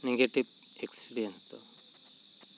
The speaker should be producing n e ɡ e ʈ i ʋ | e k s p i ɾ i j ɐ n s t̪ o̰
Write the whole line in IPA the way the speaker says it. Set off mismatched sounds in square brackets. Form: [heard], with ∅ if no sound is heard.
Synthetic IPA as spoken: n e ɡ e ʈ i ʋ | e k s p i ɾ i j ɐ n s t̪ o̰